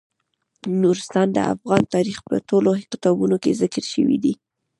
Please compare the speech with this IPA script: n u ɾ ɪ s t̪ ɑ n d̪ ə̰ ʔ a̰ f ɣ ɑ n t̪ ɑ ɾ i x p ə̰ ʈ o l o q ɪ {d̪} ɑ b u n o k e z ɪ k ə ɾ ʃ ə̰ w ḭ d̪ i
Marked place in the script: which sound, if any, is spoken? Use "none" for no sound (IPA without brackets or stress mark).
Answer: t̪